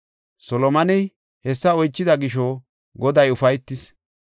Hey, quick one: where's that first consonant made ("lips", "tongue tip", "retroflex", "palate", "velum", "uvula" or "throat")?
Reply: tongue tip